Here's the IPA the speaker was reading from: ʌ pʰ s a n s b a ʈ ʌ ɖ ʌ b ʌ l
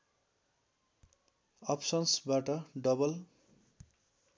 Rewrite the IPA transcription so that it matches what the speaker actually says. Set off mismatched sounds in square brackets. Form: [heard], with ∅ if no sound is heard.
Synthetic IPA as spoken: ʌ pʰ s [ʌ] n s b a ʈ ʌ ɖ ʌ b ʌ l